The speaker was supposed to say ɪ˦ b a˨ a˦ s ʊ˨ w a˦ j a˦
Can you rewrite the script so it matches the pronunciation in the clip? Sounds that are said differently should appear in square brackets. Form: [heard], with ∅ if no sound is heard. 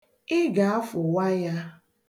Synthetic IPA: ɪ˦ [ɡ] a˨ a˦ [f] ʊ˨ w a˦ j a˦